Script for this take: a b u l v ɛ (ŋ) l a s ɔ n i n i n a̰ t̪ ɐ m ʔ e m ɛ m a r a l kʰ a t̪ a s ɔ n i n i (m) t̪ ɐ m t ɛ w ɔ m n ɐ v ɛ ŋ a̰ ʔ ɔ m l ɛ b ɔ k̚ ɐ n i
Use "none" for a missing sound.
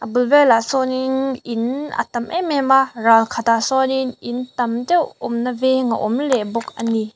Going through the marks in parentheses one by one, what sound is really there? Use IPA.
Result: none, n

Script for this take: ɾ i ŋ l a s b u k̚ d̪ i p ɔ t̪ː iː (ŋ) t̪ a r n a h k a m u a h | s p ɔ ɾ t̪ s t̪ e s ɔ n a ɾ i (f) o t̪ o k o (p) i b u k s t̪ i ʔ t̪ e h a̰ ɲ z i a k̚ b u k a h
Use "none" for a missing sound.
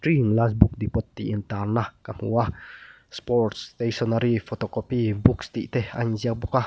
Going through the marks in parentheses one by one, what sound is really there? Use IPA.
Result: n, f, p

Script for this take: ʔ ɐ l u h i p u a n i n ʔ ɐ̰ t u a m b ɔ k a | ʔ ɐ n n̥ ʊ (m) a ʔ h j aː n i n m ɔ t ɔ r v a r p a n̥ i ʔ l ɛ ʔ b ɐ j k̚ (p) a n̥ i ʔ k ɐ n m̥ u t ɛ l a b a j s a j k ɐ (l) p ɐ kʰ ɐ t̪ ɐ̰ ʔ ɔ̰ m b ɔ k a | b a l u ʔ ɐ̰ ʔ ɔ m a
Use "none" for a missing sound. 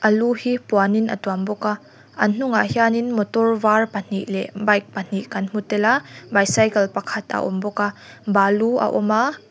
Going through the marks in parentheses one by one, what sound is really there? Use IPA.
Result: ŋ, p, l

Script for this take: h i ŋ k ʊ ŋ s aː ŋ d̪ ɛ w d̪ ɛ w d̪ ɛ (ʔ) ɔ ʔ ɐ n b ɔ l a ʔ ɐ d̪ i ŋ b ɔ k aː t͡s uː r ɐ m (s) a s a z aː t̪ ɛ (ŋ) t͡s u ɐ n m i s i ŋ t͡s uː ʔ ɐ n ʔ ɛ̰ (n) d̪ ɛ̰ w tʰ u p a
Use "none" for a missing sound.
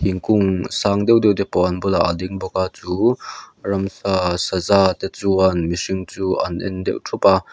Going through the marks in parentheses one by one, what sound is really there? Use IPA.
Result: p, s, none, n

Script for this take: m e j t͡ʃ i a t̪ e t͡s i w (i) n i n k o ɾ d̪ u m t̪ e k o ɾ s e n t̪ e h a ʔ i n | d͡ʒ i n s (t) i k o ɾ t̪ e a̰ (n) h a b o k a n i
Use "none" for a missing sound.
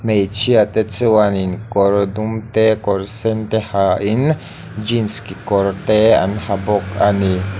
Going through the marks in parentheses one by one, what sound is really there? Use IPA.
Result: a, k, n

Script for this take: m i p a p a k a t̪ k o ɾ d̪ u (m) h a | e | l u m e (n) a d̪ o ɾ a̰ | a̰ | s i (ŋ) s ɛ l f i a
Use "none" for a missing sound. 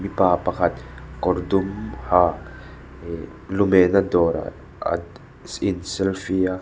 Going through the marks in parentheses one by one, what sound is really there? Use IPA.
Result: m, n, n

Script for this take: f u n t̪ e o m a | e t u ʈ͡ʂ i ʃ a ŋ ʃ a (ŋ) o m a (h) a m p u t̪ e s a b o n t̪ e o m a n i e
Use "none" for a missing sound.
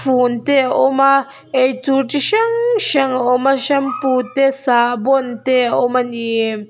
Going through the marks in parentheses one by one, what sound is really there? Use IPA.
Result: ŋ, ʃ

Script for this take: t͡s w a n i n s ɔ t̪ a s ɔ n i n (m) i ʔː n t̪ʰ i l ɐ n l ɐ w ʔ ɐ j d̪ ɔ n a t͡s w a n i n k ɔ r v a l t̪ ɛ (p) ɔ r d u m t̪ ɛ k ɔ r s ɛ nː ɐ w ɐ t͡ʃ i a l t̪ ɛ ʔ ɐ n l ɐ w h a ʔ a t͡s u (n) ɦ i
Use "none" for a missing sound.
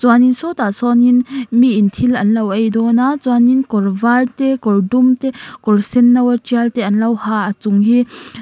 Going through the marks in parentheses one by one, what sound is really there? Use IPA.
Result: m, k, ŋ

